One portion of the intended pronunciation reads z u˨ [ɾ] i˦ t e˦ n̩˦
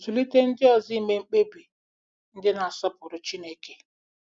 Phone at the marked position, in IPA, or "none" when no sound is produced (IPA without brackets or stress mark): l